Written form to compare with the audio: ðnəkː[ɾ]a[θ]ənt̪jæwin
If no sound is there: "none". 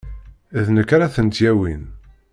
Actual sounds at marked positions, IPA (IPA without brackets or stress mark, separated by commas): ɾ, θ